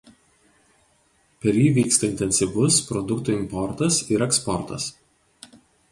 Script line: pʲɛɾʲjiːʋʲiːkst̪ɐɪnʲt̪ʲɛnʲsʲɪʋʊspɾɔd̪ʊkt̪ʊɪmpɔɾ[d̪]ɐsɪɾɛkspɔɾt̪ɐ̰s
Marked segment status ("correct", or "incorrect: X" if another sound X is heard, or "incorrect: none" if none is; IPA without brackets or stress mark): incorrect: t̪